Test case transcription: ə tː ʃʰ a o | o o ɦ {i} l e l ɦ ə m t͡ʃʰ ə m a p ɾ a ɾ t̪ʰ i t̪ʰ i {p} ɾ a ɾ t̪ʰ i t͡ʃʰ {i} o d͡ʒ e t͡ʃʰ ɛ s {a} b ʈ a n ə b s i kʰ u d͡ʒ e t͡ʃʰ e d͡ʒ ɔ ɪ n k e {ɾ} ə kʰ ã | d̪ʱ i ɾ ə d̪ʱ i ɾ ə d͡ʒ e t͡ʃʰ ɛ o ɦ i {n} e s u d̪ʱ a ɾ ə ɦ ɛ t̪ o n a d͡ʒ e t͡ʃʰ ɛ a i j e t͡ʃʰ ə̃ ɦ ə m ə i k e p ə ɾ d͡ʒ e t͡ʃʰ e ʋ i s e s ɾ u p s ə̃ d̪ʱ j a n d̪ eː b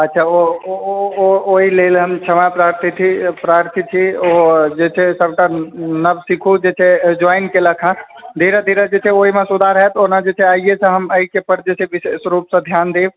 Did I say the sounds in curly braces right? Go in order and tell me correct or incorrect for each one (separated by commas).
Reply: correct, correct, correct, incorrect, incorrect, incorrect